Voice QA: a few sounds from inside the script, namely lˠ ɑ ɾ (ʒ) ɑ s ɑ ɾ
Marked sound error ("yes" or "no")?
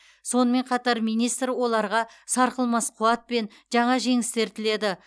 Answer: yes